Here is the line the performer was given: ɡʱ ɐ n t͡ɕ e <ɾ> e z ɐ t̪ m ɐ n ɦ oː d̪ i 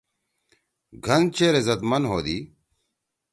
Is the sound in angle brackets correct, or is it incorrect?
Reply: correct